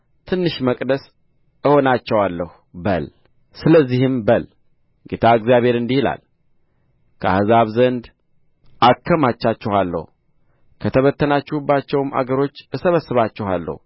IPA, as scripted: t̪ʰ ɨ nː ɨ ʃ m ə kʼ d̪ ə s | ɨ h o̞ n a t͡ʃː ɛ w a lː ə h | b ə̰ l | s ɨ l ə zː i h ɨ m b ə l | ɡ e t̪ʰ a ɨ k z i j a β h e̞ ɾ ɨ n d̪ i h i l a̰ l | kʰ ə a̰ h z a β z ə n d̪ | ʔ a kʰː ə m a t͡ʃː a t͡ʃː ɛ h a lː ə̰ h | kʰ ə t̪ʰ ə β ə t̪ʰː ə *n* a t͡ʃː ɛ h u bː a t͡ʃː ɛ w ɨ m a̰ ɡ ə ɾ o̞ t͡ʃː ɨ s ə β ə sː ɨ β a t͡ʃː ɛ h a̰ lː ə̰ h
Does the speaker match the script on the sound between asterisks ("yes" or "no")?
yes